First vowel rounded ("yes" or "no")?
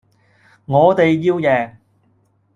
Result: yes